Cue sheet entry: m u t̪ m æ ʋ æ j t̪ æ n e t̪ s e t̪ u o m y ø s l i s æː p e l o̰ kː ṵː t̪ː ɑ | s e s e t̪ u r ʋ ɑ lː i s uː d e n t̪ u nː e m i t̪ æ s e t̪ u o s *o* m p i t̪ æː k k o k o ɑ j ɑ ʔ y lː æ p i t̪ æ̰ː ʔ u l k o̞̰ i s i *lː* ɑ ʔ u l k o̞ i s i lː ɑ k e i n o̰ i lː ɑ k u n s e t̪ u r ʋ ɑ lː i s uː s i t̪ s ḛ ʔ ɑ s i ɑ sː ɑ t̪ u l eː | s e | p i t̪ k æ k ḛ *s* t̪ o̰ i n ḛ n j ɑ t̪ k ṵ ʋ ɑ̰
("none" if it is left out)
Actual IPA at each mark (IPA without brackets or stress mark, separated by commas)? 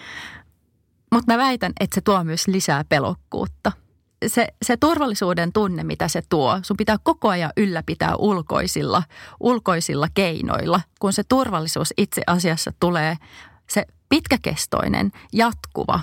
u, lː, s